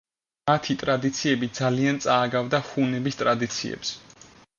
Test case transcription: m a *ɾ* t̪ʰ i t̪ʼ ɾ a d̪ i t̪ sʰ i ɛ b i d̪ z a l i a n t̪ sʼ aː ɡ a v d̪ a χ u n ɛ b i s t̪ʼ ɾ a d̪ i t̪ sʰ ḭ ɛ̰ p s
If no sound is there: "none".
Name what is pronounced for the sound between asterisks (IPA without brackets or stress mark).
none